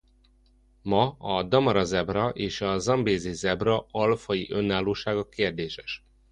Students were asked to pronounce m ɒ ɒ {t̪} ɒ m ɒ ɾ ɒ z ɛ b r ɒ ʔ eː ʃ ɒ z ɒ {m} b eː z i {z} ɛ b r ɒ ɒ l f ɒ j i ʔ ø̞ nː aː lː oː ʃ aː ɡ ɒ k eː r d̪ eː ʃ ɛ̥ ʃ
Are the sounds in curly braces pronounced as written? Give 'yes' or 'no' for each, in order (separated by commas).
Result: no, yes, yes